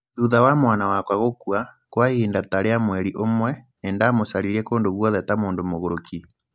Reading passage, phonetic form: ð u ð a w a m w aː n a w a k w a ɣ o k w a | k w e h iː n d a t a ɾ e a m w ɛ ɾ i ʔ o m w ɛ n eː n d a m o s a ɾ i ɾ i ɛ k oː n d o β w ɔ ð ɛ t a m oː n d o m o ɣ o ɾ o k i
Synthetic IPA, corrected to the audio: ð u ð a w a m w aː n a w a k w a ɣ o k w a | k w a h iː n d a t a ɾ e a m w ɛ ɾ i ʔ o m w ɛ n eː n d a m o s a ɾ i ɾ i ɛ k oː n d o β w ɔ ð ɛ t a m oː n d o m o ɣ o ɾ o k i